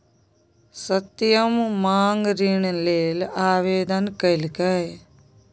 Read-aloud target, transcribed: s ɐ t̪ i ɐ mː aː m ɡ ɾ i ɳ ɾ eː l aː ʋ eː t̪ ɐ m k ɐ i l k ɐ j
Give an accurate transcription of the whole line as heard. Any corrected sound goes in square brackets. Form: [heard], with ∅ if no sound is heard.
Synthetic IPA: s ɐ t̪ [j] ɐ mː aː [ŋ] ɡ ɾ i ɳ [l] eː l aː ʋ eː [d̪] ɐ [n] k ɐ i l k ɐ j